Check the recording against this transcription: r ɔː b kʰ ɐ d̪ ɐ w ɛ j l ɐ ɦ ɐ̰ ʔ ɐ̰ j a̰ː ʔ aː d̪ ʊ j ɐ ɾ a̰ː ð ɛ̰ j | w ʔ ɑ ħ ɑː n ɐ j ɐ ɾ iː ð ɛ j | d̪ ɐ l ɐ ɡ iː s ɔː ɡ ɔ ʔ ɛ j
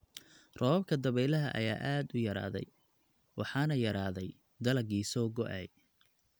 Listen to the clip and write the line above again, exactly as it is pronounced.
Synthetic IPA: r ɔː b kʰ ɐ d̪ ɐ β ɛ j l ɐ ɦ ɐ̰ ʔ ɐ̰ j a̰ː ʔ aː d̪ ʊ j ɐ ɾ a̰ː ð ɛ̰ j | w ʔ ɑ ħ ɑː n ɐ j ɐ ɾ aː ð ɛ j | d̪ ɐ l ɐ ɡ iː s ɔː ɡ ɔ ʔ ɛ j